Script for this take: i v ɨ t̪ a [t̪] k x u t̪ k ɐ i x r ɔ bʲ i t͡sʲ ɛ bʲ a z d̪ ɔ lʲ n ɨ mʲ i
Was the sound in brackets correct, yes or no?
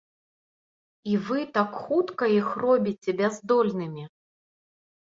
no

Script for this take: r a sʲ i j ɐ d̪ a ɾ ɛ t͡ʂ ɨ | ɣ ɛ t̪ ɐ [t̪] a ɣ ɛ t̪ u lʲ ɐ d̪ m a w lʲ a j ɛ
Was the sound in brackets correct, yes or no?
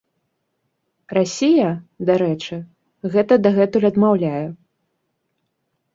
no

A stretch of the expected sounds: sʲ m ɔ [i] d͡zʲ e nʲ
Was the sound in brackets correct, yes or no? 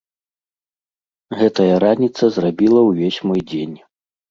no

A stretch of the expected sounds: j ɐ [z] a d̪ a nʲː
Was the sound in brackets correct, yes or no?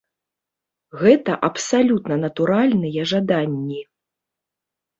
no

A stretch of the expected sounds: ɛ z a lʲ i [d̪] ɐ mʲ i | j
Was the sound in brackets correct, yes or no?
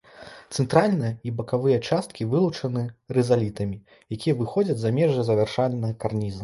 no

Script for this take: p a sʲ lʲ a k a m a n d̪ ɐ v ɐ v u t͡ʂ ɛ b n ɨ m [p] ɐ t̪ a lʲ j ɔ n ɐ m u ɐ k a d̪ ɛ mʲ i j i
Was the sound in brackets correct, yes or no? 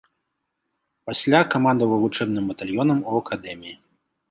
no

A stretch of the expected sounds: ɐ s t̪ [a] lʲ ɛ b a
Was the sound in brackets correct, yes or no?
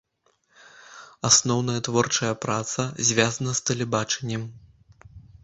no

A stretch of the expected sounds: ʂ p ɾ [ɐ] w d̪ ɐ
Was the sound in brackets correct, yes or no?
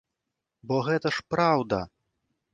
no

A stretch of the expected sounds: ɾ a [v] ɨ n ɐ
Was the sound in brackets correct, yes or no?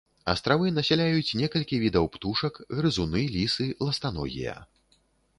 yes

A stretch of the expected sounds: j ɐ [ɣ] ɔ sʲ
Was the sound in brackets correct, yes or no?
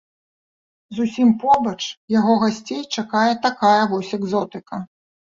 no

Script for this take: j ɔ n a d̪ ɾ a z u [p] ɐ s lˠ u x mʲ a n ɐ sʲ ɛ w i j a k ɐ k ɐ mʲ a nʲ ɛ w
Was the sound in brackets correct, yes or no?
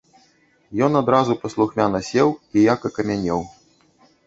yes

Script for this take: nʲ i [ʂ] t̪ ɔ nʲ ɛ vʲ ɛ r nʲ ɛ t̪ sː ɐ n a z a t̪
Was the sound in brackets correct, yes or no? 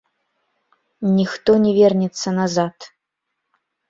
no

